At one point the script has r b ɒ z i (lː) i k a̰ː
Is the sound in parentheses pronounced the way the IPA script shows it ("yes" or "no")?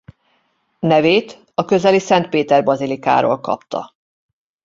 no